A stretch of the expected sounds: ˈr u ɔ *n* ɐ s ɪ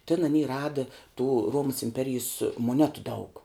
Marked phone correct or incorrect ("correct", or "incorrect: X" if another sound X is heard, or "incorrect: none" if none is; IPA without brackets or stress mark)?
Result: incorrect: m